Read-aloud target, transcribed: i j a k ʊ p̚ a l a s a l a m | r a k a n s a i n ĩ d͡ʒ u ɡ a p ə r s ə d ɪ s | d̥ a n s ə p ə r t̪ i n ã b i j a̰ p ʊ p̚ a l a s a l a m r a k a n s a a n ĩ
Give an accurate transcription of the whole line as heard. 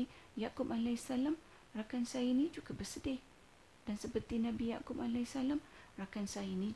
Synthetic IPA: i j a k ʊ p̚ a l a s a l a m | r a k a n s a i n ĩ d͡ʒ u ɡ a b ə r s ə d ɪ h | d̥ a n s ə p ə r t̪ i n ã b i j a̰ k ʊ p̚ a l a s a l a m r a k a n s a i n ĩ